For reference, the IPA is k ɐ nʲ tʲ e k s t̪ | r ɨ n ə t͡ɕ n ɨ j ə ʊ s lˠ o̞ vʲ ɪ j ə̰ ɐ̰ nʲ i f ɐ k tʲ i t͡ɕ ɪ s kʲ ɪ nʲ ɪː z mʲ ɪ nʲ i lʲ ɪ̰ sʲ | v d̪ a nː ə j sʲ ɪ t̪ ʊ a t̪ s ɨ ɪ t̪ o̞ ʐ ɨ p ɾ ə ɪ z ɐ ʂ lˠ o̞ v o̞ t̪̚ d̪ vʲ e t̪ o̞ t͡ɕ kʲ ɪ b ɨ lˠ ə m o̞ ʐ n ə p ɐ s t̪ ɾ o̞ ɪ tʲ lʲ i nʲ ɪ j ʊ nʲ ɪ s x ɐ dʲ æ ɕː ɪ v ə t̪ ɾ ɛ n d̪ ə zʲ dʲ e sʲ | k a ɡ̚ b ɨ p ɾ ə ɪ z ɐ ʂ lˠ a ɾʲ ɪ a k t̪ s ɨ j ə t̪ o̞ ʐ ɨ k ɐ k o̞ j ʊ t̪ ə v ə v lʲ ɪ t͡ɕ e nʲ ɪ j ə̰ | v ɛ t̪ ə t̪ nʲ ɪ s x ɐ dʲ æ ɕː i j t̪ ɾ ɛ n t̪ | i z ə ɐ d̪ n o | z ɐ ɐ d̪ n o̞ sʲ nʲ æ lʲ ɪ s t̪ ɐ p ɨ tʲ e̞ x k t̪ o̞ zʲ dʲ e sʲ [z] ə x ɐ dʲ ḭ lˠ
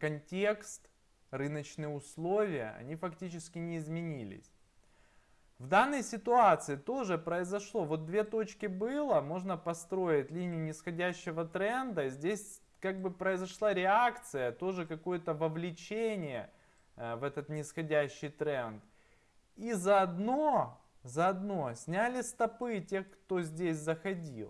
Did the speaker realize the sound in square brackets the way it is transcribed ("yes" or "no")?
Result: yes